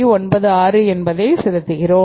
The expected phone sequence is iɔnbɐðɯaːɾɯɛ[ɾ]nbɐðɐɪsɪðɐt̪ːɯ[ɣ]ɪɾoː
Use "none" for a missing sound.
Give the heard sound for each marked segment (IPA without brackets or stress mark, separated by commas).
none, ɣ